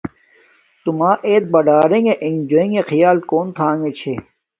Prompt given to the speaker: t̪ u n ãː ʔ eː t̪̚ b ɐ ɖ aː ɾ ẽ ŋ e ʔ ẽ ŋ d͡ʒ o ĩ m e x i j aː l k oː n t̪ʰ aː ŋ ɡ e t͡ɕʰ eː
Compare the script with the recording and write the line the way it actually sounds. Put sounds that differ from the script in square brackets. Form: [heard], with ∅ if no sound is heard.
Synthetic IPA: t̪ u [m] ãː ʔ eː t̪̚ b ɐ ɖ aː ɾ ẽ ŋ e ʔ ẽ ŋ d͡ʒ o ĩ [ŋ] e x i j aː l k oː n t̪ʰ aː ŋ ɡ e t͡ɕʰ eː